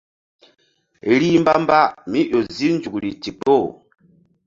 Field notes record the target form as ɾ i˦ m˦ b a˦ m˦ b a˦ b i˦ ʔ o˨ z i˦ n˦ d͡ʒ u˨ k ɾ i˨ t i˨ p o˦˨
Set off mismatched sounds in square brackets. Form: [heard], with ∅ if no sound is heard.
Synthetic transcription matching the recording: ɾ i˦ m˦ b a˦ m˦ b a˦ [m] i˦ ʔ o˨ z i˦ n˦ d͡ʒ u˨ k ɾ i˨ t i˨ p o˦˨